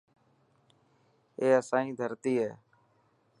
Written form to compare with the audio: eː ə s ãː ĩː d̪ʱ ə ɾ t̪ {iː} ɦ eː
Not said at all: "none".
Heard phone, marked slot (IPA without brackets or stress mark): iː